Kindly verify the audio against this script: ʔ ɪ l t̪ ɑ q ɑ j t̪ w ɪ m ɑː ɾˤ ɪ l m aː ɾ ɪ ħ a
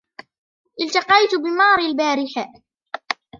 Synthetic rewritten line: ʔ ɪ l t̪ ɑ q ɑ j t̪ b ɪ m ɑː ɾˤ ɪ l b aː ɾ ɪ ħ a